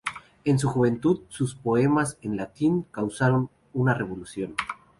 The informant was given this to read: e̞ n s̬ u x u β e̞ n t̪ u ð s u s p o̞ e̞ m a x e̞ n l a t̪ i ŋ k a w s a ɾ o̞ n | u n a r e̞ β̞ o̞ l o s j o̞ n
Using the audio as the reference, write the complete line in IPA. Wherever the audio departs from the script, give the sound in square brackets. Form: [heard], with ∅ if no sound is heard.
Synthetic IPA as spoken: e̞ n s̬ u x u β e̞ n t̪ u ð s u s p o̞ e̞ m a [s] e̞ n l a t̪ i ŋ k a w s a ɾ o̞ n | u n a r e̞ β̞ o̞ l [u] s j o̞ n